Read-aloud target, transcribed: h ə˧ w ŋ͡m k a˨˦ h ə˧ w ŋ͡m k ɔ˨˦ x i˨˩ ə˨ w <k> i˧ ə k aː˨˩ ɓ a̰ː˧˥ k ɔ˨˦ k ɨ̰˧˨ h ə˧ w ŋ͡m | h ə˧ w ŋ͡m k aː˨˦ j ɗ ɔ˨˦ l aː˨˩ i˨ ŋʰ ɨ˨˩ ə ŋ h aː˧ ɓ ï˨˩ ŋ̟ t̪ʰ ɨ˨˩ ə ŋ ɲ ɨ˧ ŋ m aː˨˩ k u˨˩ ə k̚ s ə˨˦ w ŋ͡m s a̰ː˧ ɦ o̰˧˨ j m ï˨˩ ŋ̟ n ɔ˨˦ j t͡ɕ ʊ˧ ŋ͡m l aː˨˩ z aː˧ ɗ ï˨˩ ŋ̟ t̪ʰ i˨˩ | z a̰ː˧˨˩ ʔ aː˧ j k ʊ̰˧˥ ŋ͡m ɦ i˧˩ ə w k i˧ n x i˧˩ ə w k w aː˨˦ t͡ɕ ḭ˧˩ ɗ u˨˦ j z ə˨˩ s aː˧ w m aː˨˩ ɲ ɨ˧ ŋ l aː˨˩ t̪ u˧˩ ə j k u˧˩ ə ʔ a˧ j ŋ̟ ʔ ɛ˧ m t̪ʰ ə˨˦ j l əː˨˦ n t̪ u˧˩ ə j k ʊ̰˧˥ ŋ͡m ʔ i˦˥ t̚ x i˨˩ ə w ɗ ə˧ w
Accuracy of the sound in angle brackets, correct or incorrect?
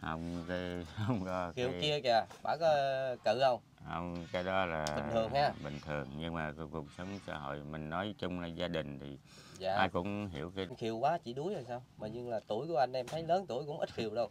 correct